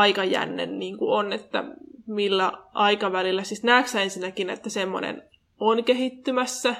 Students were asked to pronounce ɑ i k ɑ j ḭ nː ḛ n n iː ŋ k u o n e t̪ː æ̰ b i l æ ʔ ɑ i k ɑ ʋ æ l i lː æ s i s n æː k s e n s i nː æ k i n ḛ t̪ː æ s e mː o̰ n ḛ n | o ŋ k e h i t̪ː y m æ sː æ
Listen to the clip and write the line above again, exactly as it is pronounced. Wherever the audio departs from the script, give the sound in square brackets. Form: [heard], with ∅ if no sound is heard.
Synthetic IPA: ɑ i k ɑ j [æ̰] nː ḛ n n iː ŋ k u o n e t̪ː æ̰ [m] i [lː] æ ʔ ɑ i k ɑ ʋ æ l i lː æ s i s n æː k s e n s i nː æ k i n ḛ t̪ː æ s e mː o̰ n ḛ n | o [n] k e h i t̪ː y m æ sː æ